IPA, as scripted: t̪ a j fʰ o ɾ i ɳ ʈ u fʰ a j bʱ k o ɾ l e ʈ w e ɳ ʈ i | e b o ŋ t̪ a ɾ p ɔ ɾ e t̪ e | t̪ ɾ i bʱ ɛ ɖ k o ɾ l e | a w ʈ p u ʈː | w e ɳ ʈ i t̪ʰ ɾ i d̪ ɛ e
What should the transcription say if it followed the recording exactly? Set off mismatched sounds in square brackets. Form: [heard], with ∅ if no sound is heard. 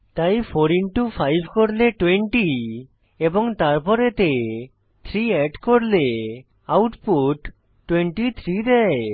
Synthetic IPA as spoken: t̪ a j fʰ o ɾ i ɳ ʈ u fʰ a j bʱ k o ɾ l e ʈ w e ɳ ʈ i | e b o ŋ t̪ a ɾ p ɔ ɾ e t̪ e | [t̪ʰ] ɾ i [∅] ɛ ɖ k o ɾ l e | a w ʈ p u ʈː | w e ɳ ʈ i t̪ʰ ɾ i d̪ ɛ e